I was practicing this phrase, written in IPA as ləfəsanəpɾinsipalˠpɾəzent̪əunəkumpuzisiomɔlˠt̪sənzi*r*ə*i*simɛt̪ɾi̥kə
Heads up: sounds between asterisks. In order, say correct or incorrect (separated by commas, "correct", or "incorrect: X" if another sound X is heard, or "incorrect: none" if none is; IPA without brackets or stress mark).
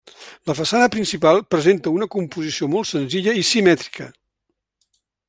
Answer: incorrect: ʎ, correct